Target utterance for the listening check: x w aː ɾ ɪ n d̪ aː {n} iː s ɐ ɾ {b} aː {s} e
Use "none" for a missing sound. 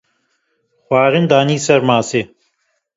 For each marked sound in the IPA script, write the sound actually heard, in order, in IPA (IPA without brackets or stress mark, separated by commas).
n, m, s